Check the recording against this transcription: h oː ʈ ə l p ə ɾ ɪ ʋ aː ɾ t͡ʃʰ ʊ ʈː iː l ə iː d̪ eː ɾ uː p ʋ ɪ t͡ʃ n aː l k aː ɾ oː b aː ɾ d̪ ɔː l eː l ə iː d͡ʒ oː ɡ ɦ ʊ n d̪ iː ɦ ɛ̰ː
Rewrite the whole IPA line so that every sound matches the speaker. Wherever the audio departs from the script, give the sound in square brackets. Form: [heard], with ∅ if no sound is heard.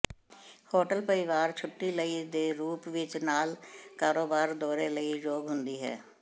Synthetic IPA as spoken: h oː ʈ ə l p ə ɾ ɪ ʋ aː ɾ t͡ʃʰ ʊ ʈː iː l ə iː d̪ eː ɾ uː p ʋ ɪ t͡ʃ n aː l k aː ɾ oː b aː ɾ d̪ ɔː [ɾ] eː l ə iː d͡ʒ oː ɡ ɦ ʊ n d̪ iː ɦ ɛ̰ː